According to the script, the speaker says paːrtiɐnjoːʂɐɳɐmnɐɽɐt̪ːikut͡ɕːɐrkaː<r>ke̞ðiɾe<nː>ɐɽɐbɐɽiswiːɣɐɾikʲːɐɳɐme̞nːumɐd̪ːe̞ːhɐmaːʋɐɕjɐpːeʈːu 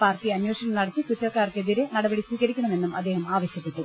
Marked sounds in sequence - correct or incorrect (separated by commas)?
correct, incorrect